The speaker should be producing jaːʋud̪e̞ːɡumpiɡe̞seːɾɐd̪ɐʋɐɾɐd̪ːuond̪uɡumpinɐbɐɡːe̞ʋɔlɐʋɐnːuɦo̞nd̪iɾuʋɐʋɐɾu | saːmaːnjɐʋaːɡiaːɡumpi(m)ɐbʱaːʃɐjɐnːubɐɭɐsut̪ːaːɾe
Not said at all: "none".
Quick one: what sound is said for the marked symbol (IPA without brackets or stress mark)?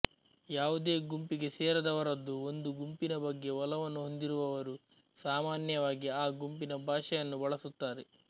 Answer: n